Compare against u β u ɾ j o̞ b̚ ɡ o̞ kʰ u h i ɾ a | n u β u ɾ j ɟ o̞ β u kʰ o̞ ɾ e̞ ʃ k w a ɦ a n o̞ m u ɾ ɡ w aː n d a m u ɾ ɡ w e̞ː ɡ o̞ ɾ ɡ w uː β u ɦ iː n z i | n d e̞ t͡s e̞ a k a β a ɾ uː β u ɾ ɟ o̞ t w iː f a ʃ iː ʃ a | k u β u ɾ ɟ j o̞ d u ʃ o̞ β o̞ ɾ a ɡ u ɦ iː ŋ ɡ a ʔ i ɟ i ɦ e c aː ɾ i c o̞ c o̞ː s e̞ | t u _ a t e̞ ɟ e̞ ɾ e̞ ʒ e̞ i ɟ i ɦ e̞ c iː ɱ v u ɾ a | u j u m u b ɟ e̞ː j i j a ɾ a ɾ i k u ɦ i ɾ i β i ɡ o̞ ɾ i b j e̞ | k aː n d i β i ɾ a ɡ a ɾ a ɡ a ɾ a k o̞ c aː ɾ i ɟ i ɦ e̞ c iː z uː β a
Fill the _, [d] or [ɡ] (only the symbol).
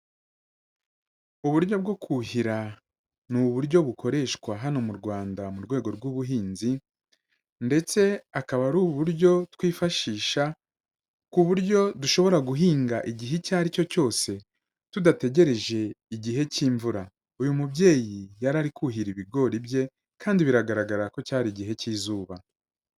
d